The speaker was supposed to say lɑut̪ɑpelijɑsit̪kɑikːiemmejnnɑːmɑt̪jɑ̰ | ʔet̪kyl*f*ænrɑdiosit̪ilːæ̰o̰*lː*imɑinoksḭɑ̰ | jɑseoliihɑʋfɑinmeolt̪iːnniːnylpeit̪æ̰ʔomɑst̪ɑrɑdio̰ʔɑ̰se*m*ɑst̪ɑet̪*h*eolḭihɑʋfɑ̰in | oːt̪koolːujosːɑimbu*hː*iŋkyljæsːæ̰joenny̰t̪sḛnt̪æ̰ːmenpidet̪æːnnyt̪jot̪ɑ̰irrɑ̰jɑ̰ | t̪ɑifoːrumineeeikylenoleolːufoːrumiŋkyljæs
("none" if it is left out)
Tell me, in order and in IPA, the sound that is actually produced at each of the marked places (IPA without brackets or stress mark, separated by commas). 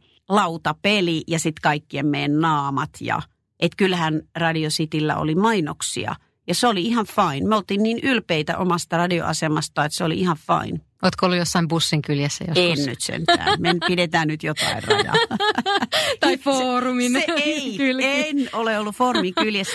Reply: h, l, m, s, sː